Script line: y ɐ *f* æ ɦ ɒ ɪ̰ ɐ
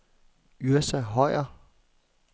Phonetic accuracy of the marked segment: incorrect: s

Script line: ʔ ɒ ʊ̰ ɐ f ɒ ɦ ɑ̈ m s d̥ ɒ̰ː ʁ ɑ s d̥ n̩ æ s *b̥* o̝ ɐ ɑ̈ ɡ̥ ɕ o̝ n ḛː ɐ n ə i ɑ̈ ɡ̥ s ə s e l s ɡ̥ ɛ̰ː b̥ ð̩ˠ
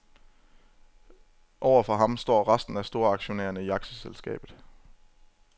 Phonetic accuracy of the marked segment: incorrect: d̥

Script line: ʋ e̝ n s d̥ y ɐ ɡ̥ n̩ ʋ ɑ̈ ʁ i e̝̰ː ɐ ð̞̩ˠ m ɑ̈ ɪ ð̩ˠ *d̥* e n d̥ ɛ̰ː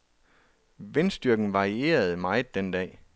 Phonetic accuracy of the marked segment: correct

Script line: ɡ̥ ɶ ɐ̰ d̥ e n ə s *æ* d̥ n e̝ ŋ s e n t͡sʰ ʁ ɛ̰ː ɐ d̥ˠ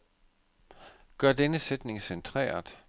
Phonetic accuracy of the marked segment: incorrect: e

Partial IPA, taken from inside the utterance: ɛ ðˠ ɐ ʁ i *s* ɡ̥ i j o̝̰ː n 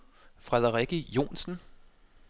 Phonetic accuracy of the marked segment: incorrect: none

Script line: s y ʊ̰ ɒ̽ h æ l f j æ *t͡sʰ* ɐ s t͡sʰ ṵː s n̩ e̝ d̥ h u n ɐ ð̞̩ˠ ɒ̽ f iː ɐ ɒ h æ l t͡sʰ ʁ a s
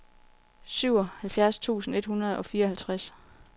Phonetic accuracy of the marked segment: incorrect: none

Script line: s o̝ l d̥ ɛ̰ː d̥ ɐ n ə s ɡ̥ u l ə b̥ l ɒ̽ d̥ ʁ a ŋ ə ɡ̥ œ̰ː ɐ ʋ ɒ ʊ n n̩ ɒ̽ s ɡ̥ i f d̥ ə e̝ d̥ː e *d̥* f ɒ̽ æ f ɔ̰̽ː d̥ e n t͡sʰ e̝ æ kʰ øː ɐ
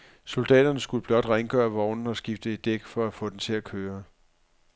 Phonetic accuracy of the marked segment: incorrect: ɡ̥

